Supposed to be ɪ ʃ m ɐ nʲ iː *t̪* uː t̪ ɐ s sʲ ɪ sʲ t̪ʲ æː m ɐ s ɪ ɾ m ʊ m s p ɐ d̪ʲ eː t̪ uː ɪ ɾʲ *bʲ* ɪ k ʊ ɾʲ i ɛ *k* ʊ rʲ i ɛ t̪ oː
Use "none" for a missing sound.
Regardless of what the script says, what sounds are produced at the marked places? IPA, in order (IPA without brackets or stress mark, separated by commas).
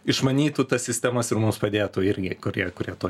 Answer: t̪, ɡʲ, k